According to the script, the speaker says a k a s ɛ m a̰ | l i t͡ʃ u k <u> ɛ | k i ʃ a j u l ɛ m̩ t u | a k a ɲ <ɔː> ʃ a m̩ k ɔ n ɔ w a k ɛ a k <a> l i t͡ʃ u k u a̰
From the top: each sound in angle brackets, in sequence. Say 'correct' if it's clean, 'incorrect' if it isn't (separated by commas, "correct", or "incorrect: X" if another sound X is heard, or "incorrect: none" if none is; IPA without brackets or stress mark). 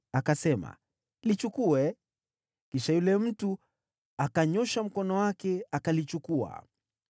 correct, incorrect: ɔ, correct